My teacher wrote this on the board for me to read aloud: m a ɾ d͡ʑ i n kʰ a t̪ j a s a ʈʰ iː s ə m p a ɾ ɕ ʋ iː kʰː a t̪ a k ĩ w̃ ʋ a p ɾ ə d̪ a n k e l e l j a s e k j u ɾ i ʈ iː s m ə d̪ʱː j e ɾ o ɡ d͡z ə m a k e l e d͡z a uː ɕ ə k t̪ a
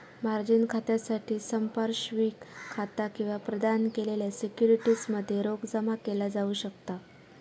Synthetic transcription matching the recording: m a ɾ d͡ʑ i n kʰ a t̪ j a s a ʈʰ iː s ə m p a ɾ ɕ ʋ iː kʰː a t̪ a k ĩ w̃ ʋ a p ɾ ə d̪ a n k e l e l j a s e k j u ɾ i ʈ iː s m ə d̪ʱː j e ɾ o ɡ d͡z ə m a k e l a d͡z a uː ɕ ə k t̪ a